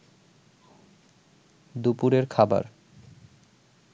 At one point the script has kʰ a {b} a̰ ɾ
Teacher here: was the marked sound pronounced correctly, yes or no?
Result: yes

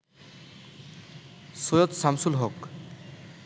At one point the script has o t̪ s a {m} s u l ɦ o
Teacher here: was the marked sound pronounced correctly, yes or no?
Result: yes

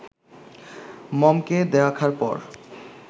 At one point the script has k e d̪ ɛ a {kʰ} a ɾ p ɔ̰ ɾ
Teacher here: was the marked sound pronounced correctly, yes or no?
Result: yes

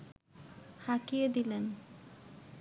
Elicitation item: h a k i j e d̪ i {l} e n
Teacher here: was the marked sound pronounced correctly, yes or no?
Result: yes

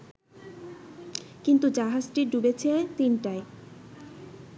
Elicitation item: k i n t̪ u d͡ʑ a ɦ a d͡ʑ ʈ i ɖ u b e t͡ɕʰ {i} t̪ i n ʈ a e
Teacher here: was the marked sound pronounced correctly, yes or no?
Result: no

